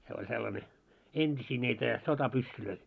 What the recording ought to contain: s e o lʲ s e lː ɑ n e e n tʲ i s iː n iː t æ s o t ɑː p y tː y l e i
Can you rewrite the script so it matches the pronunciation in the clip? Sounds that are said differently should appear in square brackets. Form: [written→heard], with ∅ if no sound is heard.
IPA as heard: s e o lʲ s e lː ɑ n e e n tʲ i s iː n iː t æ s o t [ɑː→ɑ] p y [tː→sː] y l [e→ø] i